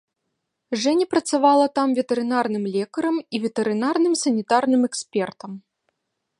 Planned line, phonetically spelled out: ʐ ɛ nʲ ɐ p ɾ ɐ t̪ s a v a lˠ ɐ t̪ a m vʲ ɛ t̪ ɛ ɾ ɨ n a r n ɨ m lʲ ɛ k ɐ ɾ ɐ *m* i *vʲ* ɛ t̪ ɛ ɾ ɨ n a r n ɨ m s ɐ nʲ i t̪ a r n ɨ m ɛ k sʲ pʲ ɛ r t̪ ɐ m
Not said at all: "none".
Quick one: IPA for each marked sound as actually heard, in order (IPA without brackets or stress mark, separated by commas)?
m, vʲ